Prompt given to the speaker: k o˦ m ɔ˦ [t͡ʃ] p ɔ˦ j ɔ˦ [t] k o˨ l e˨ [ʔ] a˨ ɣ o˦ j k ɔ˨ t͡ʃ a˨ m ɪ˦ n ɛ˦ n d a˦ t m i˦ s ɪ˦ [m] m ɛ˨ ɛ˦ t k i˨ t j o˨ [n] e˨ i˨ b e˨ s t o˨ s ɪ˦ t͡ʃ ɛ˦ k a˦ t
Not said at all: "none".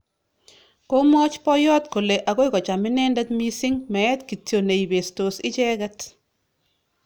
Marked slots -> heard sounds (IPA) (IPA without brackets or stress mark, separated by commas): t͡ʃ, t, ʔ, ŋ, n